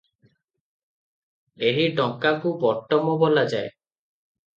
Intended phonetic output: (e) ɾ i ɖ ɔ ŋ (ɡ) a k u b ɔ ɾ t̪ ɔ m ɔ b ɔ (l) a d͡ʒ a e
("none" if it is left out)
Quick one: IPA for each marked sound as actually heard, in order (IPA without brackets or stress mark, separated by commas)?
e, k, l